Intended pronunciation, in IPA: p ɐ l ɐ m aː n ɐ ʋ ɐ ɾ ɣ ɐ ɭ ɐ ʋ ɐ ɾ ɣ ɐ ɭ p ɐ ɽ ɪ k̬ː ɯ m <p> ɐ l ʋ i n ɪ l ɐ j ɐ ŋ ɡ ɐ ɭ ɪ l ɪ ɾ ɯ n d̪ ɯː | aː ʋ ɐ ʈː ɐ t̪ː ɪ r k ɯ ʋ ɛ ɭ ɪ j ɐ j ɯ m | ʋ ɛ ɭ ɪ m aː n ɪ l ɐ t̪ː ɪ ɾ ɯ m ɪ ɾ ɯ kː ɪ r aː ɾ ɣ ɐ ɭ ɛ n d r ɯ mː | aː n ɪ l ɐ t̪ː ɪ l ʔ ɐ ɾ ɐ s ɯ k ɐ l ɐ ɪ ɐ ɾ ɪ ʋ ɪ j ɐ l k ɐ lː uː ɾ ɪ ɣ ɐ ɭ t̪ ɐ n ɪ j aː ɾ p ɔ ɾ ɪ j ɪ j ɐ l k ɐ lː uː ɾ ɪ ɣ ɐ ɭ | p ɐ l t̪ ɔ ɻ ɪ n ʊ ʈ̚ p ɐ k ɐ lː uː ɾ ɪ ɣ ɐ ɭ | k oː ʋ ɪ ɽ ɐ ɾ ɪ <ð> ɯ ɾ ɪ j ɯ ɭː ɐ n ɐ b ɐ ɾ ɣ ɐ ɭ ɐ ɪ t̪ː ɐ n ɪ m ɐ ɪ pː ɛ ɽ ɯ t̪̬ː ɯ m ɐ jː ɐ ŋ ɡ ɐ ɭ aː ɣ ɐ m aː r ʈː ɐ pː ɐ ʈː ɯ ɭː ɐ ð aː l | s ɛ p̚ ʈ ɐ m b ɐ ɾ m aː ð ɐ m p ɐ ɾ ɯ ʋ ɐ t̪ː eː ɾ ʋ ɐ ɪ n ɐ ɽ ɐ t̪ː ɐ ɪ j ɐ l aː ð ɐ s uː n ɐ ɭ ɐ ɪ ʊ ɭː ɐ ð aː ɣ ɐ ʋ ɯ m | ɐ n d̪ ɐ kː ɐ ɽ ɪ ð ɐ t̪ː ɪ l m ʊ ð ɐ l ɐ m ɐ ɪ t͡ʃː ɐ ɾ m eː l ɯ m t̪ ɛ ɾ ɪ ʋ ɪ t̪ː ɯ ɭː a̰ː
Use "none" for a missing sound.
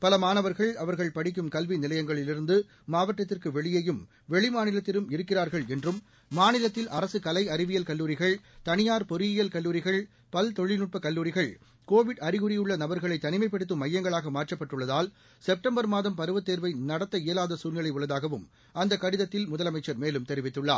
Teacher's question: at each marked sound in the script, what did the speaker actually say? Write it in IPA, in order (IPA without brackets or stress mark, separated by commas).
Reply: k, ɣ